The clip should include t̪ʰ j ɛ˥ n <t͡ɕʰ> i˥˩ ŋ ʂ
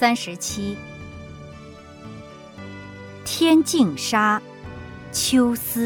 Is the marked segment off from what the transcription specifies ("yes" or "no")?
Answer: yes